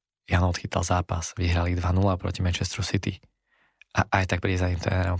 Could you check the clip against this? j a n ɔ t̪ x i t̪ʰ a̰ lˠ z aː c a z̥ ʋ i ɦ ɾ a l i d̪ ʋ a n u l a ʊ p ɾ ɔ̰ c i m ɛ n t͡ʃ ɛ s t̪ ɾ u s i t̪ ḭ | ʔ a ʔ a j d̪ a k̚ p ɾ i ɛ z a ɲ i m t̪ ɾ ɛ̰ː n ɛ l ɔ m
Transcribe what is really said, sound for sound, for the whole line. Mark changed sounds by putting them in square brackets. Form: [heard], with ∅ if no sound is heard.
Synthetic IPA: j a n ɔ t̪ x i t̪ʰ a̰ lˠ z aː [p] a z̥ ʋ i ɦ ɾ a l i d̪ ʋ a n u l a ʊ p ɾ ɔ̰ c i m ɛ n t͡ʃ ɛ s t̪ ɾ u s i t̪ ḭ | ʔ a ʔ a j [t̪] a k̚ p ɾ i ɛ z a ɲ i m t̪ ɾ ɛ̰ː n ɛ [ɾ] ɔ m